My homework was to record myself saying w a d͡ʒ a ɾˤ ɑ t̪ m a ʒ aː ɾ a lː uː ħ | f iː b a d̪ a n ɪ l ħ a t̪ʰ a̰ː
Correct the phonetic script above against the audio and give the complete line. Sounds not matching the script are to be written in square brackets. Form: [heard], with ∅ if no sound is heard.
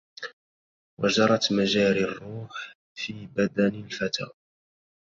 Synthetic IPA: w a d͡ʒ [ɑ] ɾˤ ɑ t̪ m a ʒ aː ɾ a [rː] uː ħ | f iː b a d̪ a n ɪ l [f] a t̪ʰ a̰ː

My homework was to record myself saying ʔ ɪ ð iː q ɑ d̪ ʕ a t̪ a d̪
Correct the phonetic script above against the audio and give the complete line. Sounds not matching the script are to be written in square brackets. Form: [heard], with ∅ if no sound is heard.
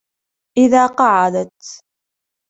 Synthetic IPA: ʔ ɪ ð [aː] q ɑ [∅] ʕ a [d̪] a [t̪]

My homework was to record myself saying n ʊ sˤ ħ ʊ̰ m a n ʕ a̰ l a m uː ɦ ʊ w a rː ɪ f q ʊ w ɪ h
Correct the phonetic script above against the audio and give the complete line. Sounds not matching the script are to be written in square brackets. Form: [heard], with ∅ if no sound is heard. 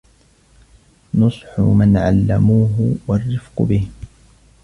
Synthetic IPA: n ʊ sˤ ħ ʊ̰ m a n ʕ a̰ [lː] a m uː ɦ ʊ w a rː ɪ f q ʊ [b] ɪ h

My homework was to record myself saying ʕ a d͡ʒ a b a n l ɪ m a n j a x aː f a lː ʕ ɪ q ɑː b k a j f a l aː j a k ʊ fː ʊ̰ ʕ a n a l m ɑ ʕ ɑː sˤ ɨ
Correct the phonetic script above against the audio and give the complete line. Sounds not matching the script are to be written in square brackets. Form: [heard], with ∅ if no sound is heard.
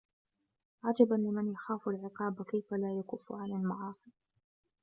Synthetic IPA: ʕ a d͡ʒ a b a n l ɪ m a n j a x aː f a [l] ʕ ɪ q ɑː b k a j f a l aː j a k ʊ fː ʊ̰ ʕ a n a l m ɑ ʕ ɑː sˤ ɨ

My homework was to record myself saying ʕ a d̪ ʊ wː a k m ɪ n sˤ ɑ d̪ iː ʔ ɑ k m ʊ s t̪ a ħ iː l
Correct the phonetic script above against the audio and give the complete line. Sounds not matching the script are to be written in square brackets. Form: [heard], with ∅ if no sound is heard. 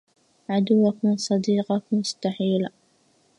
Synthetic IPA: ʕ a d̪ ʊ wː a k m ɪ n sˤ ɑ d̪ iː [q] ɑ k m ʊ s t̪ a ħ iː l

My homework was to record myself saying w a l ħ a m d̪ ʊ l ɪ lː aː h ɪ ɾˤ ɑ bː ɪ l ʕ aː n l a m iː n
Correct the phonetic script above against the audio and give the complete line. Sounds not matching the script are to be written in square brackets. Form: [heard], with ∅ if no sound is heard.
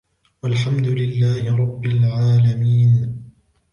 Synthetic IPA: w a l ħ a m d̪ ʊ l ɪ lː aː h ɪ ɾˤ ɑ bː ɪ l ʕ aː [∅] l a m iː n

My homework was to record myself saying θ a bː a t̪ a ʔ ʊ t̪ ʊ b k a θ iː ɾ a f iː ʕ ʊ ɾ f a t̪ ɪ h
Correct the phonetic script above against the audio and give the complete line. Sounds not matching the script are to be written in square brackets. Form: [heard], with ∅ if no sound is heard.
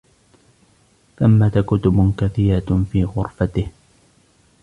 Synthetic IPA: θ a [mː] a t̪ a [k] ʊ t̪ ʊ b k a θ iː ɾ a f iː [ɣ] ʊ ɾ f a t̪ ɪ h

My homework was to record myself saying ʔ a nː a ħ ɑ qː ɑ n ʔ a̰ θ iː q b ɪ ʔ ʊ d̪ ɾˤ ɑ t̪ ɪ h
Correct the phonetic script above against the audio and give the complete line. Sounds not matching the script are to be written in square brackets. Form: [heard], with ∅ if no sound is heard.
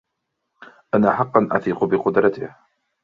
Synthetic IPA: ʔ a [n] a ħ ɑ qː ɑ n ʔ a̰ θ iː q b ɪ [q] ʊ d̪ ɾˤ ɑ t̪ ɪ h

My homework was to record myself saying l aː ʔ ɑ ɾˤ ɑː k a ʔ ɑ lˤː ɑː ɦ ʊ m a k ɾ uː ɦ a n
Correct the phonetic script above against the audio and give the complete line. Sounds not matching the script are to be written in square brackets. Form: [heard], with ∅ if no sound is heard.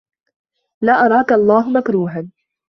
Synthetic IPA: l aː ʔ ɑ ɾˤ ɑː k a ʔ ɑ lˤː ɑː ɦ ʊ m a k ɾ uː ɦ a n

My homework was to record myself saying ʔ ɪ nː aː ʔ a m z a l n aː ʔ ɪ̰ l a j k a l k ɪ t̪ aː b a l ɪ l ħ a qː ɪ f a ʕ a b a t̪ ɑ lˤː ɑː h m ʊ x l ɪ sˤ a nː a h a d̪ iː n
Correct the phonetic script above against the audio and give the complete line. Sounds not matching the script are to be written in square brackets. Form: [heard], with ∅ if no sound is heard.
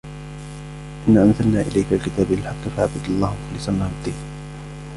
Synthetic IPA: ʔ ɪ nː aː ʔ a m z a l n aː ʔ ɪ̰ l a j k a l k ɪ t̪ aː b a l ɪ l ħ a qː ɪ f a ʕ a b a [d̪] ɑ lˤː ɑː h m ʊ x l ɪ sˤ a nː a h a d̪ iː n

